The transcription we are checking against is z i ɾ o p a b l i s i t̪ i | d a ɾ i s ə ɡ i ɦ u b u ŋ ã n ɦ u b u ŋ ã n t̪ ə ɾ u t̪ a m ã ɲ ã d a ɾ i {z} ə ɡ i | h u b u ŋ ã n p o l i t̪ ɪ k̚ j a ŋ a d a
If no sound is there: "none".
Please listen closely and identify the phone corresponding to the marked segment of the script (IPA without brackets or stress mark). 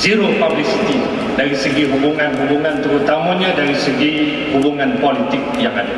s